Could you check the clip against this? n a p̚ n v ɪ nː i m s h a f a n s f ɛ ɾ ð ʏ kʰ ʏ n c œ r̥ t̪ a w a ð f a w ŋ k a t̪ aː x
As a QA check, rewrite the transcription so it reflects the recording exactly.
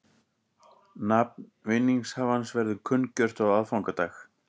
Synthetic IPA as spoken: n a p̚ n v ɪ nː i ŋ s h a v a n s v ɛ ɾ ð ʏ kʰ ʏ n c œ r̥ t̪ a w a ð f a w ŋ k a t̪ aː x